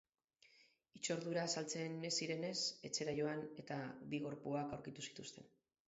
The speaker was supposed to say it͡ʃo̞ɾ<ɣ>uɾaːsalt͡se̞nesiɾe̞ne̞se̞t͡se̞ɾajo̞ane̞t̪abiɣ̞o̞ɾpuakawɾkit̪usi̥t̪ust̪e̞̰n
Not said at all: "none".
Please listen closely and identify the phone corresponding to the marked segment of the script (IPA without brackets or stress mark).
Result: ð